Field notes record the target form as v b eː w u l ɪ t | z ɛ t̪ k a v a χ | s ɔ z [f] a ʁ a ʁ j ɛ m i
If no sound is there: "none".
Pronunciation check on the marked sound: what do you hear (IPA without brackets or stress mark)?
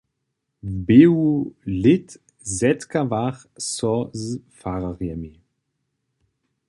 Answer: f